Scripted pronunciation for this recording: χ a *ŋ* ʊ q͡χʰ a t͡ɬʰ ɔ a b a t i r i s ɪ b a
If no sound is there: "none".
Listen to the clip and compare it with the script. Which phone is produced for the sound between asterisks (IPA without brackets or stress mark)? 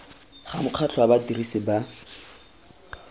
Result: m